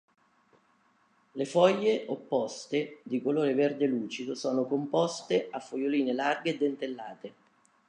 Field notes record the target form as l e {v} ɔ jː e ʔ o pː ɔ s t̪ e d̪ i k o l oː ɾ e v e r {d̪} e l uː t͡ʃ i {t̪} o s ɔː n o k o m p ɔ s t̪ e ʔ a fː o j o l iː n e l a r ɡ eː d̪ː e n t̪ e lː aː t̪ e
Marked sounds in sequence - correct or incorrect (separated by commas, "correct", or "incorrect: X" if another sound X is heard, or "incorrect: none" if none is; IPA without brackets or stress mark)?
incorrect: f, correct, incorrect: d̪